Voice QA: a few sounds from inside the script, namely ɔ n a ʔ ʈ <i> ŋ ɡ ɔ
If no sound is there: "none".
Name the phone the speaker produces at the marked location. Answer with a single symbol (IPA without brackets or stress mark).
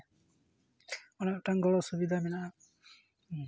a